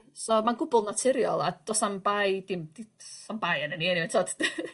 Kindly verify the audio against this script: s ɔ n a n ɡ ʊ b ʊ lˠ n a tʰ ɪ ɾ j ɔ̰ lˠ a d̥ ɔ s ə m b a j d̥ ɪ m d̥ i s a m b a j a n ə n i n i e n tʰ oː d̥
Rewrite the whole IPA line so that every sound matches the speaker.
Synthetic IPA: s ɔ m a n ɡ ʊ b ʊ lˠ n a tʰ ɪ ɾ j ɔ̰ lˠ a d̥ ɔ s a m b a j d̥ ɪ m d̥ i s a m b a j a n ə n i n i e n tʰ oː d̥

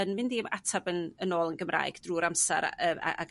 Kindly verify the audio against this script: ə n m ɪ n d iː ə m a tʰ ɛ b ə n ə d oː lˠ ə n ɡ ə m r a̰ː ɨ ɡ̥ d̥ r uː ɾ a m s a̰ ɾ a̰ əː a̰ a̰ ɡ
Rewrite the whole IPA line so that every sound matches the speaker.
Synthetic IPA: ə n m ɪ n d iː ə m a tʰ a b ə n ə n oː lˠ ə n ɡ ə m r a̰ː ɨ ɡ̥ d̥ r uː ɾ a m s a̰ ɾ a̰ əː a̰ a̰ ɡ

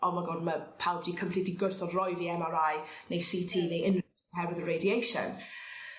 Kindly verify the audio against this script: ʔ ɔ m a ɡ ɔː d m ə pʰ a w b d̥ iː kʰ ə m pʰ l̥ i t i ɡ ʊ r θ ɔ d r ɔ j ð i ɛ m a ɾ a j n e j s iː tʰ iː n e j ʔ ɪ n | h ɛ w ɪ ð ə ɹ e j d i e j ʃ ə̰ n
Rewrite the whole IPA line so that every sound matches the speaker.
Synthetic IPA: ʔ ɔ m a ɡ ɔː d m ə pʰ a w b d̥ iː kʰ ə m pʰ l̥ i t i ɡ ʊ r θ ɔ d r ɔ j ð i ɛ m a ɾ a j n e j s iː tʰ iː n e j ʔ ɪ n | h ɛ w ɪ ð ə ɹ e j d i e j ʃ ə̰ n

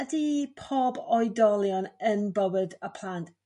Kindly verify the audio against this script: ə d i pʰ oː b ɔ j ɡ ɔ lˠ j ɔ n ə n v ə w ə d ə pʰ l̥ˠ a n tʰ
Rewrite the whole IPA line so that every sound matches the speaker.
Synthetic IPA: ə d i pʰ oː b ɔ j d ɔ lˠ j ɔ n ə n b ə w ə d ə pʰ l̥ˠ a n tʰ

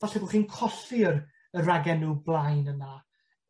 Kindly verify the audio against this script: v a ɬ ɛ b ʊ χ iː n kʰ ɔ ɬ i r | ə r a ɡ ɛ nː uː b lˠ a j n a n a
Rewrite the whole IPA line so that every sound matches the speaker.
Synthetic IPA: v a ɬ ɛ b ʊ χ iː n kʰ ɔ ɬ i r | ə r a ɡ ɛ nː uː b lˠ a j n ə n a

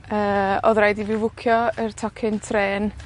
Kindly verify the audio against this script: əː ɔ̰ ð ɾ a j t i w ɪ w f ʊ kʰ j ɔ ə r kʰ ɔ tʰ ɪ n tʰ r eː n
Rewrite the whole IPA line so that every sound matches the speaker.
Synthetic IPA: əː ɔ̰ ð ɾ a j d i v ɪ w v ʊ kʰ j ɔ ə r tʰ ɔ kʰ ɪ n tʰ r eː n

